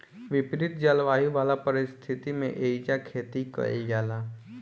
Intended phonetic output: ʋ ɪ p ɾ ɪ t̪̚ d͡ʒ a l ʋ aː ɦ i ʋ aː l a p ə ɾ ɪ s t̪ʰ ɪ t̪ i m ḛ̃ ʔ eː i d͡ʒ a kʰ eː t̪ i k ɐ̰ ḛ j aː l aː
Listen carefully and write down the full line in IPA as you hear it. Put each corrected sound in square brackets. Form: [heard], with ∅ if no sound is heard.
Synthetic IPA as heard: ʋ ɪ p ɾ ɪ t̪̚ d͡ʒ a l ʋ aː ɦ i ʋ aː l a p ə ɾ ɪ s t̪ʰ ɪ t̪ i m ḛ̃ ʔ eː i d͡ʒ a kʰ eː t̪ i k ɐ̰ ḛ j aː l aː